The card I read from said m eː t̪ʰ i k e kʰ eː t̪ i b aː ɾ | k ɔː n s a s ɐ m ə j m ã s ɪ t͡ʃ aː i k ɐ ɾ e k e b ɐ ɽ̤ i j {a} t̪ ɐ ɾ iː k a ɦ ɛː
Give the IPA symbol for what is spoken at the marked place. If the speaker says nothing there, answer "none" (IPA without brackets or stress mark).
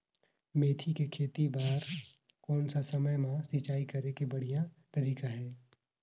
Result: a